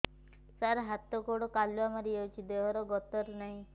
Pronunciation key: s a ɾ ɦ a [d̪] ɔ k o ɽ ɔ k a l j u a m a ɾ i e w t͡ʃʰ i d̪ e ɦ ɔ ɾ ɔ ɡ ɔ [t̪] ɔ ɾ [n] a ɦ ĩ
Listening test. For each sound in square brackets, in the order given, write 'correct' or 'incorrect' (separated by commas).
incorrect, correct, correct